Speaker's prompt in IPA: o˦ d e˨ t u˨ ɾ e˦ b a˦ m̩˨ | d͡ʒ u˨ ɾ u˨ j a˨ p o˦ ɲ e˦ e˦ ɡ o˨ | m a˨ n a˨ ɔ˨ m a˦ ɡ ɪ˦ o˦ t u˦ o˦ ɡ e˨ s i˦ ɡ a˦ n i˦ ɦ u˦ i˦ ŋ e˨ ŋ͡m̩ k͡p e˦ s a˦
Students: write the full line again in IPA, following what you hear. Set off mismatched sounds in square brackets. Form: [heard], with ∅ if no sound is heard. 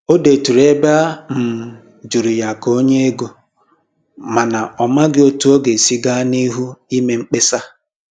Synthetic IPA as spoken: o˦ d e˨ t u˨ ɾ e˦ b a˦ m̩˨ | d͡ʒ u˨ ɾ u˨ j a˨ [k] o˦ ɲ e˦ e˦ ɡ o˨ | m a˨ n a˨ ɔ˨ m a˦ ɡ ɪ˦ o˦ t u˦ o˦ ɡ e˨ s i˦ ɡ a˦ n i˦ ɦ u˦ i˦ [m] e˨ ŋ͡m̩ k͡p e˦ s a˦